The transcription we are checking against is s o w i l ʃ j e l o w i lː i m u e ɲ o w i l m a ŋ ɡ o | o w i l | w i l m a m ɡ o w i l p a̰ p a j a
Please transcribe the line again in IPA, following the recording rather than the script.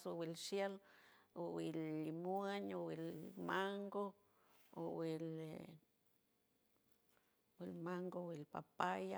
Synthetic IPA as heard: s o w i l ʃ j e l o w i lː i m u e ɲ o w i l m a ŋ ɡ o | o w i l | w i l m a ŋ ɡ o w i l p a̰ p a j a